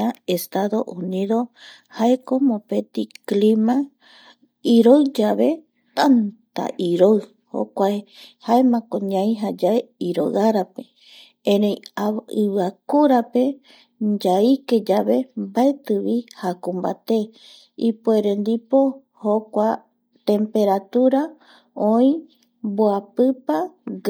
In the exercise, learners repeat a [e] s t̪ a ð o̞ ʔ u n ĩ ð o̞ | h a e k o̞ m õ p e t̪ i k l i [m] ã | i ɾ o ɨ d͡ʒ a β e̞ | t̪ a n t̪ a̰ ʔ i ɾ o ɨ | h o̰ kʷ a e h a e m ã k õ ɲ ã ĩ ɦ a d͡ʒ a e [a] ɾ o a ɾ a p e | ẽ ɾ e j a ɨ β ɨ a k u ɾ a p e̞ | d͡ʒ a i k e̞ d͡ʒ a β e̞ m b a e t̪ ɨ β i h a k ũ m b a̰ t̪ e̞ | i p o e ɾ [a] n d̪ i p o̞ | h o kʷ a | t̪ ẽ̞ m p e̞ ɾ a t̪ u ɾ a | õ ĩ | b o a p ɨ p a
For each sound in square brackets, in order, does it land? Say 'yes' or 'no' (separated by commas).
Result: yes, yes, no, no